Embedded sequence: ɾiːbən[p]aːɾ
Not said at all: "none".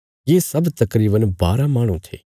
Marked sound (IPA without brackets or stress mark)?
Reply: b